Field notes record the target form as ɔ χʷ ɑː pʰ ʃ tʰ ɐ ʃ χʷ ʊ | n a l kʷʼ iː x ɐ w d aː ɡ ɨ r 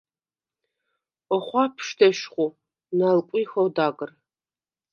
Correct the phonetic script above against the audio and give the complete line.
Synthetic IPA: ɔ χʷ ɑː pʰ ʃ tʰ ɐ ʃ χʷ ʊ | n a l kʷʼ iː x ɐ w d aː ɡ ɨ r